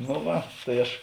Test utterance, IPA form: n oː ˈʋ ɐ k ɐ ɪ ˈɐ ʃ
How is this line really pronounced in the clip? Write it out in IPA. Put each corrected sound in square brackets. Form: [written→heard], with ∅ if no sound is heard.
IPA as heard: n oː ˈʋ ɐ [k→t] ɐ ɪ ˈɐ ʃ